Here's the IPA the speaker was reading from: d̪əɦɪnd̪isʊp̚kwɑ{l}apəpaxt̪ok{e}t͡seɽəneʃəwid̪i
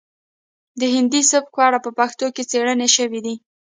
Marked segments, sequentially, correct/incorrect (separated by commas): incorrect, correct